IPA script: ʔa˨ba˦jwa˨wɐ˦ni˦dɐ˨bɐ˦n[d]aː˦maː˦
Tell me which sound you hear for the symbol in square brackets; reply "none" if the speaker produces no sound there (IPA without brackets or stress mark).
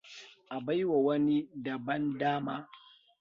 d